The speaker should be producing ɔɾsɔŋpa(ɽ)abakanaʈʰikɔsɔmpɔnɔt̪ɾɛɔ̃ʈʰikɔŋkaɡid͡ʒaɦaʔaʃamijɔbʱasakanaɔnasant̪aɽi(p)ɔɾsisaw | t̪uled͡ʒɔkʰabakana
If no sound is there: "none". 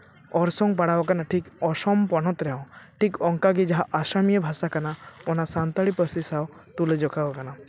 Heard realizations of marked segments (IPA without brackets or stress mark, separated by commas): ɽ, p